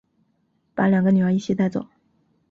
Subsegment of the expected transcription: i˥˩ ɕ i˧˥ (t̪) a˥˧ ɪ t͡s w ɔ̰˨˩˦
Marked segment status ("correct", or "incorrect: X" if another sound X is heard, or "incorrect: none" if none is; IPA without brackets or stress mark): correct